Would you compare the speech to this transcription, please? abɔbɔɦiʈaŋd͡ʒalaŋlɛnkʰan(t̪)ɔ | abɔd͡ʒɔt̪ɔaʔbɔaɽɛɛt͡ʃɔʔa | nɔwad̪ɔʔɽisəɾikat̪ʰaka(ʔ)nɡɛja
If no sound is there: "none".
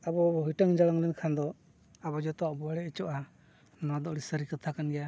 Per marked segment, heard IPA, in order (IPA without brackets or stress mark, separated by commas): d̪, none